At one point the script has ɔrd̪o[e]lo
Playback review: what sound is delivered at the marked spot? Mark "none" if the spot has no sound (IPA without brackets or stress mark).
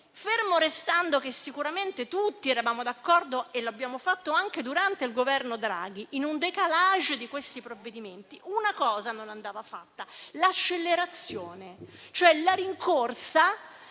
e